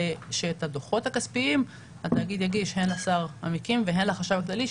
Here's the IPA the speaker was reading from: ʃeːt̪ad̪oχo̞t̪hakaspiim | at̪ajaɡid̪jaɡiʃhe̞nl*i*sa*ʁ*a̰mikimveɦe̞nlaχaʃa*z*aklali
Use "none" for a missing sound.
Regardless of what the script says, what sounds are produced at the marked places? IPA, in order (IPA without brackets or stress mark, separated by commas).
a, ʁ, v